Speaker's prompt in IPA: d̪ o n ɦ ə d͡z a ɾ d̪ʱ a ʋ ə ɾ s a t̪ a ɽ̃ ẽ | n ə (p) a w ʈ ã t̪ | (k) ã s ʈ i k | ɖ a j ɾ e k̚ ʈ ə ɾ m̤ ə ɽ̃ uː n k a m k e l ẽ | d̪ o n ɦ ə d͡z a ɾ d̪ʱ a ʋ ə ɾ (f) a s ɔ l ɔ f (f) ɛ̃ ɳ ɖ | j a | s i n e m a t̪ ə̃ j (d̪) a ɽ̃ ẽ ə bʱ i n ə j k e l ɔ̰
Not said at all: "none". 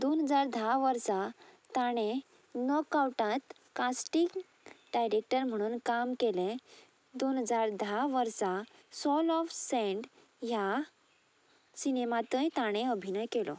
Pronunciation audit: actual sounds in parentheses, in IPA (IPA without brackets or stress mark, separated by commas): k, k, s, s, t̪